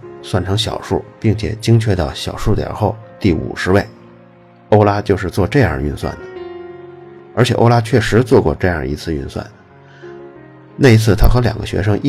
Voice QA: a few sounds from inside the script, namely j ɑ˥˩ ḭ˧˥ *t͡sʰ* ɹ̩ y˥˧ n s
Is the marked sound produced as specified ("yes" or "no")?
yes